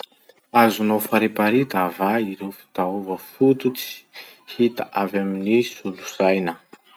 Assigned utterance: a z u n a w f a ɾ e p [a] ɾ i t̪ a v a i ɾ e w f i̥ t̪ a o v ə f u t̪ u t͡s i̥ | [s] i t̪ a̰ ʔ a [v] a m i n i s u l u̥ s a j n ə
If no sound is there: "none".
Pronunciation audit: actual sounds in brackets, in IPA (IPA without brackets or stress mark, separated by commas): a, h, v